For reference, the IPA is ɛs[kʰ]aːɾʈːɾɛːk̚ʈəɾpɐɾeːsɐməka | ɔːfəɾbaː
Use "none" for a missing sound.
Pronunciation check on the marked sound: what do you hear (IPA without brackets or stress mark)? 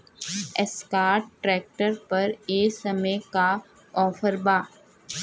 k